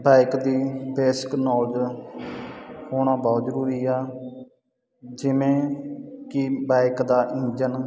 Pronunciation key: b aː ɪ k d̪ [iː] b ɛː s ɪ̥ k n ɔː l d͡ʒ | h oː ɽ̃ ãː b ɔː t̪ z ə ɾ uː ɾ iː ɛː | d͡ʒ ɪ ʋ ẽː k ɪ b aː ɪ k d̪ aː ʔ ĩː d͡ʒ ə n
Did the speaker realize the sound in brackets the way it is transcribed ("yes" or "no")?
yes